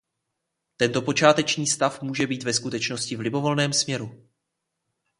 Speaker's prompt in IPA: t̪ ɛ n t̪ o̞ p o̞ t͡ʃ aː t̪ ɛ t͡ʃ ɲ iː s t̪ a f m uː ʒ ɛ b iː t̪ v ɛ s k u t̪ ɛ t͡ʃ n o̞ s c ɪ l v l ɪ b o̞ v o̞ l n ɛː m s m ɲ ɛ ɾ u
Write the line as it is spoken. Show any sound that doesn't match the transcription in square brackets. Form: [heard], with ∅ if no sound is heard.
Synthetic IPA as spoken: t̪ ɛ n t̪ o̞ p o̞ t͡ʃ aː t̪ ɛ t͡ʃ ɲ iː s t̪ a f m uː ʒ ɛ b iː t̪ v ɛ s k u t̪ ɛ t͡ʃ n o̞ s c ɪ [∅] v l ɪ b o̞ v o̞ l n ɛː m s m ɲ ɛ ɾ u

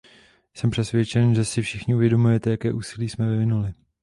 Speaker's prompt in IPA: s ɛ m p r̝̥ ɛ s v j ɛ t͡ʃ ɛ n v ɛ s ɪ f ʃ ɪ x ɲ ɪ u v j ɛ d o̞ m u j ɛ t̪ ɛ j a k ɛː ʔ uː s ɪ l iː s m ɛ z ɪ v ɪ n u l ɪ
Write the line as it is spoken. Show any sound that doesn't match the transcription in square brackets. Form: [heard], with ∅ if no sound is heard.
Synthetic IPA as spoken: s ɛ m p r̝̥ ɛ s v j ɛ t͡ʃ ɛ n [ʒ] ɛ s ɪ f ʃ ɪ x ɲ ɪ u v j ɛ d o̞ m u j ɛ t̪ ɛ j a k ɛː ʔ uː s ɪ l iː s m ɛ [v] ɪ v ɪ n u l ɪ

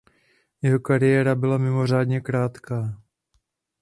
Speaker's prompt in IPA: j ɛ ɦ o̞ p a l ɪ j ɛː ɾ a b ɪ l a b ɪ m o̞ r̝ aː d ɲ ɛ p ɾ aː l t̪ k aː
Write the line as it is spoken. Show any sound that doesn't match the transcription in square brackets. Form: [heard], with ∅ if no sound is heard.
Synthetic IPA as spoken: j ɛ ɦ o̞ [k] a [ɾ] ɪ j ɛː ɾ a b ɪ l a [m] ɪ m o̞ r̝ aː d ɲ ɛ [k] ɾ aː [∅] t̪ k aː

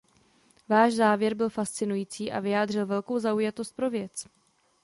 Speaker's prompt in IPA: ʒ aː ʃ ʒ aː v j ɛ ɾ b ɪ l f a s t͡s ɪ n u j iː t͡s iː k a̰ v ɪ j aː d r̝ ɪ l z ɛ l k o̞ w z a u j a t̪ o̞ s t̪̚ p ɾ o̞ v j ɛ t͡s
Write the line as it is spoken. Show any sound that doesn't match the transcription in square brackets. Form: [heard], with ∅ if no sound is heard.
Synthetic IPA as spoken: [v] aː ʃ [z] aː v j ɛ ɾ b ɪ l f a s t͡s ɪ n u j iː t͡s iː [ʔ] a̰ v ɪ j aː d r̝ ɪ l [v] ɛ l k o̞ w z a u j a t̪ o̞ s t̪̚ p ɾ o̞ v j ɛ t͡s

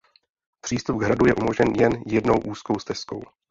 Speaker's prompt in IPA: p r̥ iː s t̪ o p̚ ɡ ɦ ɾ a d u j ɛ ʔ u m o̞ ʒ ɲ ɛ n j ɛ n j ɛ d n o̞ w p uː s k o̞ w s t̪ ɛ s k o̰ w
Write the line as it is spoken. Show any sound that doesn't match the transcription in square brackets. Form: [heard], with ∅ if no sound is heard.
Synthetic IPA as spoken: p r̥ iː s t̪ [u] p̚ ɡ ɦ ɾ a d u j ɛ ʔ u m o̞ ʒ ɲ ɛ n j ɛ n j ɛ d n o̞ w [ʔ] uː s k o̞ w s t̪ ɛ s k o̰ w

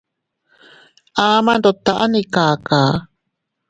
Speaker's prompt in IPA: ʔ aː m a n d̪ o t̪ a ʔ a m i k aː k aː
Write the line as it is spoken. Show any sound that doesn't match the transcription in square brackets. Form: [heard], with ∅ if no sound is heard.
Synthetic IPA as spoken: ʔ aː m a n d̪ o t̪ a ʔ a [n] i k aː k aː

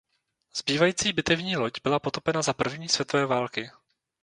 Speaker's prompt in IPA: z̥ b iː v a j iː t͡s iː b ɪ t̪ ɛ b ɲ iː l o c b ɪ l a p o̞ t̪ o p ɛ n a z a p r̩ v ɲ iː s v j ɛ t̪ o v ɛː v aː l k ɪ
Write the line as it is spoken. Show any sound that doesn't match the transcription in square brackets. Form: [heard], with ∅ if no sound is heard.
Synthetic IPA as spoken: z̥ b iː v a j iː t͡s iː b ɪ t̪ ɛ [v] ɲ iː l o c b ɪ l a p o̞ t̪ o p ɛ n a z a p r̩ v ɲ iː s v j ɛ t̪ o v ɛː v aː l k ɪ

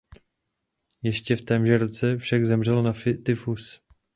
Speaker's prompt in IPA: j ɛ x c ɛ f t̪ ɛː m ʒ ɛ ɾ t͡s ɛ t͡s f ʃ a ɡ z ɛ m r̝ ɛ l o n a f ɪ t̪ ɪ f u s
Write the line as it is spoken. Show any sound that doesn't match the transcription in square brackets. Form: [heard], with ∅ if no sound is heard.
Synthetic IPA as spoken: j ɛ [ʃ] c ɛ f t̪ ɛː m ʒ ɛ ɾ t͡s ɛ [∅] f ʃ a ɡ z ɛ m r̝ ɛ l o n a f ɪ t̪ ɪ f u s

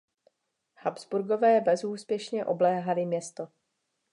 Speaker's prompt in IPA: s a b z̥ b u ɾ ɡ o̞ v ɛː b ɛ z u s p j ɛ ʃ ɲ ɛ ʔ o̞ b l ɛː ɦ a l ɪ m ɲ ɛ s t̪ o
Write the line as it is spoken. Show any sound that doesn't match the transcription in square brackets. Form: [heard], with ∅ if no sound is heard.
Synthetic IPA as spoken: [h] a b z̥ b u ɾ ɡ o̞ v ɛː b ɛ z [uː] s p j ɛ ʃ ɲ ɛ ʔ o̞ b l ɛː ɦ a l ɪ m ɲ ɛ s t̪ o

